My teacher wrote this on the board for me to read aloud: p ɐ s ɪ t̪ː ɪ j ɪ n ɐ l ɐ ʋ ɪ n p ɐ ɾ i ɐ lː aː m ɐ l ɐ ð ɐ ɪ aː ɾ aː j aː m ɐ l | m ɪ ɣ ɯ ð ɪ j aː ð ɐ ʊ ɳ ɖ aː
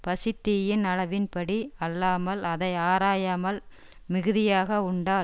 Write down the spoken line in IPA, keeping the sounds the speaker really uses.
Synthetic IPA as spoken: p ɐ s ɪ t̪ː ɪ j ɪ n ɐ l ɐ ʋ ɪ n p ɐ ɽ i ɐ lː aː m ɐ l ɐ ð ɐ ɪ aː ɾ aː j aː m ɐ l | m ɪ ɣ ɯ ð ɪ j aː ɣ ɐ ʊ ɳ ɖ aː